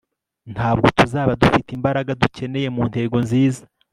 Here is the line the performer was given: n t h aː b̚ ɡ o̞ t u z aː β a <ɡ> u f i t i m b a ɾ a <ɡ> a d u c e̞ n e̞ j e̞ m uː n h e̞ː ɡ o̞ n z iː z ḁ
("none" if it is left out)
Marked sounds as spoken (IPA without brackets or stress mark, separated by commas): d, ɡ